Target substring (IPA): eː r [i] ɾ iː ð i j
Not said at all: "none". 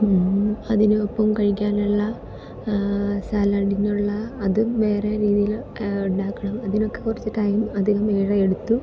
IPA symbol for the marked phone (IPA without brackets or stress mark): e